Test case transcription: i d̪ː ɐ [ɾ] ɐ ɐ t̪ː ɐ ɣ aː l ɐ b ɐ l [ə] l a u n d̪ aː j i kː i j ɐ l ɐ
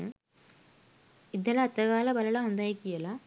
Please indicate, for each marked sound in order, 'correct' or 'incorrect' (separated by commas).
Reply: incorrect, incorrect